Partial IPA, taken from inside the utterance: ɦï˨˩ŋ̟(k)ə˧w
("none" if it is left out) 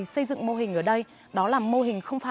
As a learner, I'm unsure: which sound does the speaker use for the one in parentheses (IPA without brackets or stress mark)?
x